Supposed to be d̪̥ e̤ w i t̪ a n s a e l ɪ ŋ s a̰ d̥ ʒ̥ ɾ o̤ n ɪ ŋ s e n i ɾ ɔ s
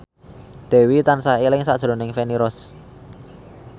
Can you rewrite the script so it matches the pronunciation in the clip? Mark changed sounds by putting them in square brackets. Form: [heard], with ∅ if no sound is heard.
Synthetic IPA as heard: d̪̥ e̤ w i t̪ a n s a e l ɪ ŋ s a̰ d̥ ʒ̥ ɾ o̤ n ɪ ŋ [f] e n i ɾ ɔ s